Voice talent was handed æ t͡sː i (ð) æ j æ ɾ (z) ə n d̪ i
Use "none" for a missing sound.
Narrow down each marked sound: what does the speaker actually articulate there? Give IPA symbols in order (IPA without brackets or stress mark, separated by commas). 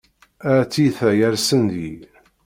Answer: θ, s